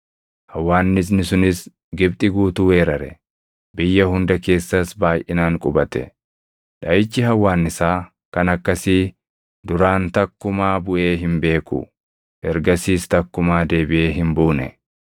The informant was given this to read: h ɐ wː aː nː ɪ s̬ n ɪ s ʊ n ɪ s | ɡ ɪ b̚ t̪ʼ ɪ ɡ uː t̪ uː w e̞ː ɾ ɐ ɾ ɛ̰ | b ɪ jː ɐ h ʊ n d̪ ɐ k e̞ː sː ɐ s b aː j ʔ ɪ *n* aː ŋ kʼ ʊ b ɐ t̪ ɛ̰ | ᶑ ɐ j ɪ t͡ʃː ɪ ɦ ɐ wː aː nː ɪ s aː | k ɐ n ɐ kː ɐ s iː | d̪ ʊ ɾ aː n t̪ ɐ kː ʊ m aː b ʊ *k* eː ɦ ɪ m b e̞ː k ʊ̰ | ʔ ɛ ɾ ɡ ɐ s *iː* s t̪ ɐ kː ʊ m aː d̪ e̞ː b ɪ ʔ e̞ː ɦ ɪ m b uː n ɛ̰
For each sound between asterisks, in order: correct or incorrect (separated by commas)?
correct, incorrect, correct